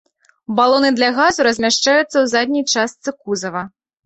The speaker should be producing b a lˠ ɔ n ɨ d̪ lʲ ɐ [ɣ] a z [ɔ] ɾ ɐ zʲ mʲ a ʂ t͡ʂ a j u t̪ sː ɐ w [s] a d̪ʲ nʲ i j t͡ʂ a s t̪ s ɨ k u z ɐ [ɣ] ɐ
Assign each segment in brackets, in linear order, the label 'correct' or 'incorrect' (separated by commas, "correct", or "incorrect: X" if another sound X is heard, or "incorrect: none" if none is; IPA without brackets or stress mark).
correct, incorrect: u, incorrect: z, incorrect: v